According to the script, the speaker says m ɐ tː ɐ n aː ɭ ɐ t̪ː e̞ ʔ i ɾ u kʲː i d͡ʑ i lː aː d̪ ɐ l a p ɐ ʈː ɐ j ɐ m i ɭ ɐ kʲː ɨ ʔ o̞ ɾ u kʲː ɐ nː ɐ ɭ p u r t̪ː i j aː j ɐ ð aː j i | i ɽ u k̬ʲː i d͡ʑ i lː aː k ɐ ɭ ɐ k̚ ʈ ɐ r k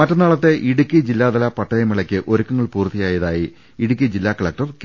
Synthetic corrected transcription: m ɐ tː ɐ n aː ɭ ɐ t̪ː e̞ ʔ i ɽ u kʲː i d͡ʑ i lː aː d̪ ɐ l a p ɐ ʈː ɐ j ɐ m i ɭ ɐ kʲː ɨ ʔ o̞ ɾ u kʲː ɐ ŋː ɐ ɭ p uː r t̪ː i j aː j ɐ ð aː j i | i ɽ u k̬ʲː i d͡ʑ i lː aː k ɐ ɭ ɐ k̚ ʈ ɐ r k